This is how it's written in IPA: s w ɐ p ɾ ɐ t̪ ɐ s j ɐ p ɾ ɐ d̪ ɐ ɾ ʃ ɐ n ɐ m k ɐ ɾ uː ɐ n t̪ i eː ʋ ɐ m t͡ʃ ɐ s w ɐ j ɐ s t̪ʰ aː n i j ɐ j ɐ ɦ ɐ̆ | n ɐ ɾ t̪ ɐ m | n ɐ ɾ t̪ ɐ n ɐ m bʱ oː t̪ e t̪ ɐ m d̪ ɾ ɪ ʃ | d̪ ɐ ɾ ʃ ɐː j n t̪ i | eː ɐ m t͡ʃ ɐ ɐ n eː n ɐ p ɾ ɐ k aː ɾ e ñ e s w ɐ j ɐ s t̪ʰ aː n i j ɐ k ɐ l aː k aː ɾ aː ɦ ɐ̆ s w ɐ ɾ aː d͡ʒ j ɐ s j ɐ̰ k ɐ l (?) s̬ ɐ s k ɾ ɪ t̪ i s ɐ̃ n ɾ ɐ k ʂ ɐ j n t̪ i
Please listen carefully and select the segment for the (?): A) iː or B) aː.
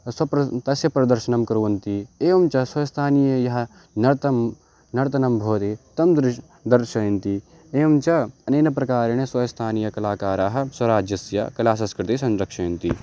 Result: B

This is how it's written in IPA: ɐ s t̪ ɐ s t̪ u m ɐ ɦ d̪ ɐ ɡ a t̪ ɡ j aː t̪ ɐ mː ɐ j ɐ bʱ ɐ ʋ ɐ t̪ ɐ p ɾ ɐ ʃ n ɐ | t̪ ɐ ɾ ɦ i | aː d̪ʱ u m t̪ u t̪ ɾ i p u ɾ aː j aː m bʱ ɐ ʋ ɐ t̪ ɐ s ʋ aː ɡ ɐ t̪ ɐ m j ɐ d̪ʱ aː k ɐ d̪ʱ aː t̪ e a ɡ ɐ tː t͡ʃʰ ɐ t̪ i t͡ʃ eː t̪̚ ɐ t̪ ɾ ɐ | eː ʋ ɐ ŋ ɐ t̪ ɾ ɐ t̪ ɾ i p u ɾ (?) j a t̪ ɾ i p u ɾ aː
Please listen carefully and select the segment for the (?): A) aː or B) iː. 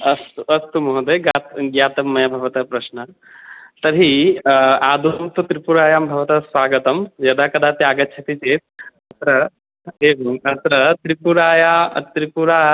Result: A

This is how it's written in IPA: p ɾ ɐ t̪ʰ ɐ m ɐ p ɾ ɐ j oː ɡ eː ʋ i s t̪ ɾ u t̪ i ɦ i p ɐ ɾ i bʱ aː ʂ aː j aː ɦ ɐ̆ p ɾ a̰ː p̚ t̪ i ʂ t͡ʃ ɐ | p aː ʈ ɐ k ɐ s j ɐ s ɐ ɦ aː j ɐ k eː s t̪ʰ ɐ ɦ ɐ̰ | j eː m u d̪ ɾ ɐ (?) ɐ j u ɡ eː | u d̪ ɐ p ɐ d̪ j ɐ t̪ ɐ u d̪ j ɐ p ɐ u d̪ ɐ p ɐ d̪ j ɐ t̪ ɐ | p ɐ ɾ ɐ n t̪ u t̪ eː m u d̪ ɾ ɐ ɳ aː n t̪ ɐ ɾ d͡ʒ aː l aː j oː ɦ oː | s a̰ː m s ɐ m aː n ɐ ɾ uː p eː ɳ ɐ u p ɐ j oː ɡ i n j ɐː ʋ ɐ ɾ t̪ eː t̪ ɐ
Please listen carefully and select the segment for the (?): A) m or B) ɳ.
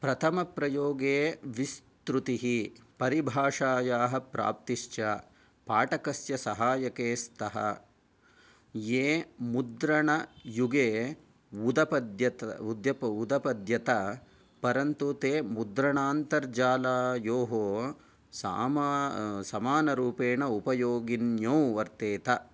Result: B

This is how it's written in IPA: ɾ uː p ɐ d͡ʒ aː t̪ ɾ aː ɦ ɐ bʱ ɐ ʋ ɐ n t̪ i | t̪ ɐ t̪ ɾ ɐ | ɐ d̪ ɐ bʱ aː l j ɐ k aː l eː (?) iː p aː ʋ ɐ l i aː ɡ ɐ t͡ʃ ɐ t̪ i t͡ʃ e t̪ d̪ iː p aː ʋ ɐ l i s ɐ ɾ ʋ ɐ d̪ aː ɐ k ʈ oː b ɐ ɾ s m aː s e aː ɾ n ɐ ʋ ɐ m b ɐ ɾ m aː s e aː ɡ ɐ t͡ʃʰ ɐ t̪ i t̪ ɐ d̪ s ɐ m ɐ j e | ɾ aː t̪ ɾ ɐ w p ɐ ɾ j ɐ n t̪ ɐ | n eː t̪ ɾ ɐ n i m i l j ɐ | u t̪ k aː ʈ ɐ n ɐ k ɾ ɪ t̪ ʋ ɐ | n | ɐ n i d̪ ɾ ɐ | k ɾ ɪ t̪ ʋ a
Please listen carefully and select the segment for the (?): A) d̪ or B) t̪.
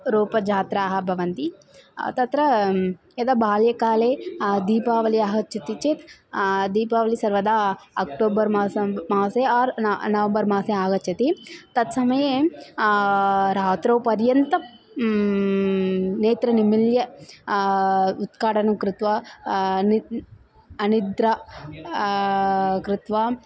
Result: A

